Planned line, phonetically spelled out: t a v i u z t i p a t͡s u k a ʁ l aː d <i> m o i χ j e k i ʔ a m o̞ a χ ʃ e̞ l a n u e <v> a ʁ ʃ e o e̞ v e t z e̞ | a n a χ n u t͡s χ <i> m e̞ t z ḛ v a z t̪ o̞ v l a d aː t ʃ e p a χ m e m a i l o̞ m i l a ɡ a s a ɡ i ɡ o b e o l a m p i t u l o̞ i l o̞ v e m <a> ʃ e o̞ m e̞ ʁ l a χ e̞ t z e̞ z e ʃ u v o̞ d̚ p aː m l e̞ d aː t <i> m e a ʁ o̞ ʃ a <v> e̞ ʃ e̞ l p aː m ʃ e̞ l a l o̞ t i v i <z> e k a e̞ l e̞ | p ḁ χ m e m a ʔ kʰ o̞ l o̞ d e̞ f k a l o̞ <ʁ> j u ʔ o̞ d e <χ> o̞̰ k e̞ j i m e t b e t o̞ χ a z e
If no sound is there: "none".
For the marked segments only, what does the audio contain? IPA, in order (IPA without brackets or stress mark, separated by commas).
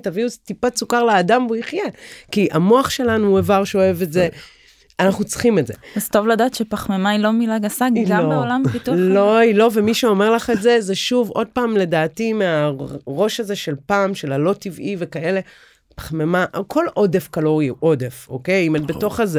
a, v, i, i, i, z, v, ʁ, f